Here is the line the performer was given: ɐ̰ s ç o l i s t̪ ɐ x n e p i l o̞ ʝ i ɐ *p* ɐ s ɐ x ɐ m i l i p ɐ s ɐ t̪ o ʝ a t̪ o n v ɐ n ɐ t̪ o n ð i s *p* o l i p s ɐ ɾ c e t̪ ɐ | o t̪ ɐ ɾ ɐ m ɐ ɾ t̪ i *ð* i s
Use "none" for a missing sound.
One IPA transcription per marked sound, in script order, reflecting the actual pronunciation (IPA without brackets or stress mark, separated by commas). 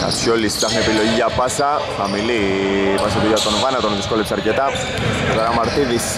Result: p, k, ð